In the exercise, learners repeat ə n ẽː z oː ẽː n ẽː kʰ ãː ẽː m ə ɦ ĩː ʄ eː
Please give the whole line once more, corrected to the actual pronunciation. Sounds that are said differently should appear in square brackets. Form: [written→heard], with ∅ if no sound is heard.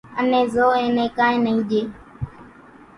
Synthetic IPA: ə n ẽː z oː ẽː n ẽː [kʰ→k] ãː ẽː [m→n] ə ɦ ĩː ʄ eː